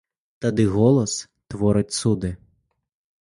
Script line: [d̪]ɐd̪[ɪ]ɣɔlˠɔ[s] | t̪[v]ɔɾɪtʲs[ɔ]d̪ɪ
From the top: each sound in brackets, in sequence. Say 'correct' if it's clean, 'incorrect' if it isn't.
incorrect: t̪, correct, correct, incorrect: ʋ, incorrect: u

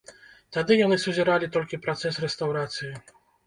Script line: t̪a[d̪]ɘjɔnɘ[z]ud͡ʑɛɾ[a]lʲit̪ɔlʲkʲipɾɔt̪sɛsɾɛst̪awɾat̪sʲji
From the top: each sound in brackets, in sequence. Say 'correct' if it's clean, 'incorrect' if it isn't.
correct, incorrect: s, correct

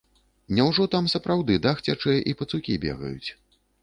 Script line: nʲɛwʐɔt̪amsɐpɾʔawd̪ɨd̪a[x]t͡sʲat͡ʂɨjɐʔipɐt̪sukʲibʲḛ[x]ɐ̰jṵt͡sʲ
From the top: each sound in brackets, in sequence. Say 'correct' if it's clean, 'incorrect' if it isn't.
correct, incorrect: ɣ

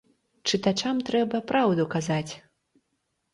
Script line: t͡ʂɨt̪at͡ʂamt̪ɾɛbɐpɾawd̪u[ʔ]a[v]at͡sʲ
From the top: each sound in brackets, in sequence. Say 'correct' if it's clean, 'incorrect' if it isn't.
incorrect: k, incorrect: z

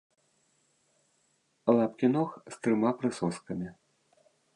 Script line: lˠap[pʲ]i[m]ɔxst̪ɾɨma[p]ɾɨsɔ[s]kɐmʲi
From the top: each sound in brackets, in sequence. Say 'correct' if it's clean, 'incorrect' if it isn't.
incorrect: kʲ, incorrect: n, correct, correct

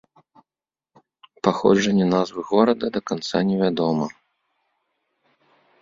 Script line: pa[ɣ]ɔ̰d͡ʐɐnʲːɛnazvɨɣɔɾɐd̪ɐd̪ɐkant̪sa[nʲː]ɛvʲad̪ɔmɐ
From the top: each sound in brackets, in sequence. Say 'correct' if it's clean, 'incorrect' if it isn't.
incorrect: x, incorrect: nʲ

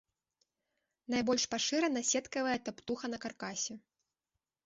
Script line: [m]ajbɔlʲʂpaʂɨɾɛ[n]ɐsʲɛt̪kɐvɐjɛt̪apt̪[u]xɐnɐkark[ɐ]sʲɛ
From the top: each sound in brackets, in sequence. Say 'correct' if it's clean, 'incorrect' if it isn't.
incorrect: n, correct, correct, incorrect: a

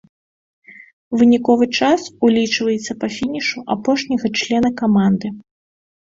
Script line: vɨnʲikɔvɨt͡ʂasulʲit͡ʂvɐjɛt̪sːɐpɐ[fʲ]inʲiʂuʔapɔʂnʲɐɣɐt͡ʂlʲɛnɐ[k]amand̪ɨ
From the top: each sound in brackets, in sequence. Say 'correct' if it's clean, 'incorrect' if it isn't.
correct, correct

